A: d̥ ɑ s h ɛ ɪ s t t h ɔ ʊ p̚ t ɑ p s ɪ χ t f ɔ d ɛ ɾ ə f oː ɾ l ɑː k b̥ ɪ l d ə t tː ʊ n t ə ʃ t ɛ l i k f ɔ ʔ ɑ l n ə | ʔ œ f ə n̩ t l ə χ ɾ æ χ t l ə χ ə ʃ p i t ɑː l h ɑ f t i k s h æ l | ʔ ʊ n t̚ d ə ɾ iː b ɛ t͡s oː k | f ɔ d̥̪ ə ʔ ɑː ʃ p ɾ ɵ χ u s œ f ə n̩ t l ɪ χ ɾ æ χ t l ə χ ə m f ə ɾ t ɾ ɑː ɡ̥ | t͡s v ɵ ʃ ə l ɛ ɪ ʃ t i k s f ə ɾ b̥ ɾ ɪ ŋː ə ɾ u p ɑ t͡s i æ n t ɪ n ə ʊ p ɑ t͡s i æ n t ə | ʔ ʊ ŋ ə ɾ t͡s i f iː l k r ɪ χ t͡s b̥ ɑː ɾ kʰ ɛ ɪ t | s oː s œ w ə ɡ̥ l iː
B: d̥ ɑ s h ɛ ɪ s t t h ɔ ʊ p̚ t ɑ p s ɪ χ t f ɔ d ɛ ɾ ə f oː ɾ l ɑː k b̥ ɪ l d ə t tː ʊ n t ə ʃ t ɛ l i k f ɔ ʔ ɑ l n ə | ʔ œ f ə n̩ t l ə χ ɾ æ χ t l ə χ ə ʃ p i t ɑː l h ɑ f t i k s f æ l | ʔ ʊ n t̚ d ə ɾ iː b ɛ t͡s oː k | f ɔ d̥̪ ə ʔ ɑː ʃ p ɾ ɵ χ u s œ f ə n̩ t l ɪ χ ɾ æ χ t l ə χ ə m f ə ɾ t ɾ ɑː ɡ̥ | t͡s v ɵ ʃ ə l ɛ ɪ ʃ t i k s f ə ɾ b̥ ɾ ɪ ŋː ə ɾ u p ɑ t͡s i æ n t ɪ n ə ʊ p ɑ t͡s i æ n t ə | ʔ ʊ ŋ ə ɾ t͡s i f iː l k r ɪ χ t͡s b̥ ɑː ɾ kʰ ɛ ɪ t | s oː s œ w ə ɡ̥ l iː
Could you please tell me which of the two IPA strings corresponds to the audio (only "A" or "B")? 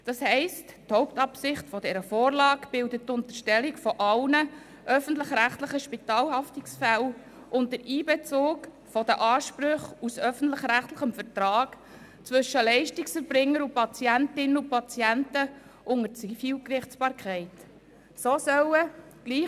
B